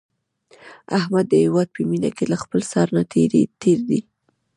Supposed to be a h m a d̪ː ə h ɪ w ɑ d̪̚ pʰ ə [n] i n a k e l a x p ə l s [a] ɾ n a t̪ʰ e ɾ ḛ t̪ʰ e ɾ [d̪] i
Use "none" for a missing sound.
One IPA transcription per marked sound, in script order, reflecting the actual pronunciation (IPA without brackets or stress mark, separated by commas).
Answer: m, ɑ, d̪